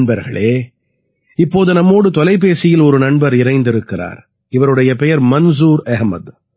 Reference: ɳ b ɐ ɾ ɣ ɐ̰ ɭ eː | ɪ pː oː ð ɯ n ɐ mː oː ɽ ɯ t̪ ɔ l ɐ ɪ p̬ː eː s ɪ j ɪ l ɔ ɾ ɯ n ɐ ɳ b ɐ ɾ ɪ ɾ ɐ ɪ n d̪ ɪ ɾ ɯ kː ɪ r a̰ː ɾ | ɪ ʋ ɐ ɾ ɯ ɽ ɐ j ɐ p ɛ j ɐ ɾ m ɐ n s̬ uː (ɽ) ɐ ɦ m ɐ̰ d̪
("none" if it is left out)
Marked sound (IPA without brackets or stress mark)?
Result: ɾ